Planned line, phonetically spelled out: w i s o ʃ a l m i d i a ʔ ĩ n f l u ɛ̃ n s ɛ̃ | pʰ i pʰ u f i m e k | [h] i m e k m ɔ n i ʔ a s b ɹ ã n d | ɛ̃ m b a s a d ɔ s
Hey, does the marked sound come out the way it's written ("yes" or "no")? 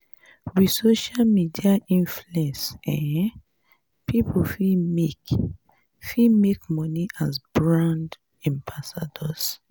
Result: no